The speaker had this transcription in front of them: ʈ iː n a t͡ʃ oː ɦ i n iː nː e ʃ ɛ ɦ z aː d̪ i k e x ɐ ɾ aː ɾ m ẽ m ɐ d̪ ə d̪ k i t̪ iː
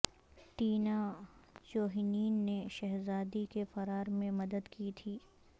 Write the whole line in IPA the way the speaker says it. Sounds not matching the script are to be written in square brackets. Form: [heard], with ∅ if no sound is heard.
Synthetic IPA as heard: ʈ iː n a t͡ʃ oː ɦ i n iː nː e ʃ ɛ ɦ z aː d̪ i k e [f] ɐ ɾ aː ɾ m ẽ m ɐ d̪ ə d̪ k i [t̪ʰ] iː